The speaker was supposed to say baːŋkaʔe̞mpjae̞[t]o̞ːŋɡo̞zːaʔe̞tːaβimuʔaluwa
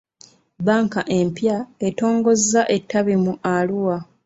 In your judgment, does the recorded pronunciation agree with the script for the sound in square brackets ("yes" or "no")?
yes